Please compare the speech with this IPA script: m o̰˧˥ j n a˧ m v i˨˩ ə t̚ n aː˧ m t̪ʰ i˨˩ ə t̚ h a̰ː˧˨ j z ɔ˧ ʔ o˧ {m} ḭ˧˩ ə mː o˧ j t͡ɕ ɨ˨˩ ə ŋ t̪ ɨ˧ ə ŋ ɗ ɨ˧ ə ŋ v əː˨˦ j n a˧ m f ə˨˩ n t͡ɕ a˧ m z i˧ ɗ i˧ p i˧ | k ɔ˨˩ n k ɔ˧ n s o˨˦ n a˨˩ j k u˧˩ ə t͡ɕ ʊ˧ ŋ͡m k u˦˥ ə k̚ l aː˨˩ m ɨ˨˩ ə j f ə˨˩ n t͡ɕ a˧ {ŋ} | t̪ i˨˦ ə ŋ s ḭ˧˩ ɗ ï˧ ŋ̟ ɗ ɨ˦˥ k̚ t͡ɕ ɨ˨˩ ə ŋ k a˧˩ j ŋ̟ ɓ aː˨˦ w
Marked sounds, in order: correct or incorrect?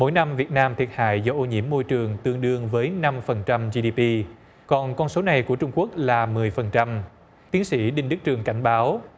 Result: incorrect: ɲ, incorrect: m

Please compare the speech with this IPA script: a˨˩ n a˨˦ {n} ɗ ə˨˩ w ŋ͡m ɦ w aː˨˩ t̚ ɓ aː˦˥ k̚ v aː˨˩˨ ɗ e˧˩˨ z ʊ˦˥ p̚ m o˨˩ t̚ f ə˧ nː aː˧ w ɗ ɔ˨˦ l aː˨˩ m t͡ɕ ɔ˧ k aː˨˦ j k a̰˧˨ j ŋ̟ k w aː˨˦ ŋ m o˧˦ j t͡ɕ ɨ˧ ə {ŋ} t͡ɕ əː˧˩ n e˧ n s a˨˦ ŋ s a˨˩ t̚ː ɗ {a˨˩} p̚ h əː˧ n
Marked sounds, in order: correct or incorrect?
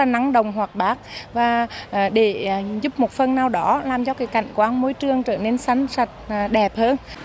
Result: incorrect: ŋ, correct, incorrect: ɛ˨˩

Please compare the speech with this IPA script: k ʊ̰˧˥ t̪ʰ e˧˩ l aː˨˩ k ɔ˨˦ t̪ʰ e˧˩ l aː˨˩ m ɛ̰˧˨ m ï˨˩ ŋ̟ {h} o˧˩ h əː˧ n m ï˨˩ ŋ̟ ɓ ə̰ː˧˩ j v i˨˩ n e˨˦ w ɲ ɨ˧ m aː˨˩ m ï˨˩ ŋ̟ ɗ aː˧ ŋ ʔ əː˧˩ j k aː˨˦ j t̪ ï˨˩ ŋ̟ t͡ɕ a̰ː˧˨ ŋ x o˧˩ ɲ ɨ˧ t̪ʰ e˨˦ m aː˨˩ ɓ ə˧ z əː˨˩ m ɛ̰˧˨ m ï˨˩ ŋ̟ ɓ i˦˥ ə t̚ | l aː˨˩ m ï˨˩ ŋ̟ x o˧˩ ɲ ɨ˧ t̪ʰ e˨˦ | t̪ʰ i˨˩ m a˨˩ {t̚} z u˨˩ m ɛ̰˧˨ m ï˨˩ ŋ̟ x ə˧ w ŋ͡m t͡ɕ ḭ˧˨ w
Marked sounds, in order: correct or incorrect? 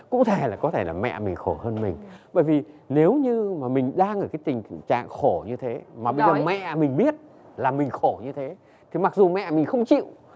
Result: incorrect: x, incorrect: k̚

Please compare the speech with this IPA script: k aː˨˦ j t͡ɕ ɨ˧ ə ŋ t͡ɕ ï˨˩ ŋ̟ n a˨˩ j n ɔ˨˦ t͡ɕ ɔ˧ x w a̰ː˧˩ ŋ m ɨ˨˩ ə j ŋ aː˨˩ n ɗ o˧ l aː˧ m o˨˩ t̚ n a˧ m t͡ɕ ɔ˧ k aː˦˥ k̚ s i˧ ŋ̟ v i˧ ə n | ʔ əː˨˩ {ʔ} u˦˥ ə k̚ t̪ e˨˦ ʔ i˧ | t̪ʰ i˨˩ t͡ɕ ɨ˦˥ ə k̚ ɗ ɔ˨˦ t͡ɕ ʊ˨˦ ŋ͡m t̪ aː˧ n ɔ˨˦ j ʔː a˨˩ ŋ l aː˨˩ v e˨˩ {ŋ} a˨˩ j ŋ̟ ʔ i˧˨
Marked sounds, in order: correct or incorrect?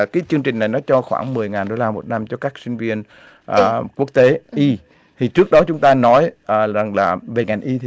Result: incorrect: k, correct

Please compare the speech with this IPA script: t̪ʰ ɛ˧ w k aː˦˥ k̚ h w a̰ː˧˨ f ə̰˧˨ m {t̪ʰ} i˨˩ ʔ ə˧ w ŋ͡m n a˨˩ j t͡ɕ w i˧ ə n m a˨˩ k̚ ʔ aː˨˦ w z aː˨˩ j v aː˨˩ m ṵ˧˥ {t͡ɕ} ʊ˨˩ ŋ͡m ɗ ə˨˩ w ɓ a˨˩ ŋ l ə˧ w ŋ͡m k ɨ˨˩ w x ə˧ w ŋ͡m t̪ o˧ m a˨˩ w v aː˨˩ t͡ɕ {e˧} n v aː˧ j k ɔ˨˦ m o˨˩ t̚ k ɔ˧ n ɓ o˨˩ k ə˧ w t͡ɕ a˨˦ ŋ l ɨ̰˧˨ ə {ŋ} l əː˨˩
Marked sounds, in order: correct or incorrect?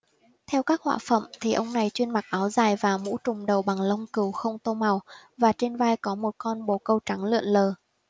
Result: correct, correct, correct, incorrect: n

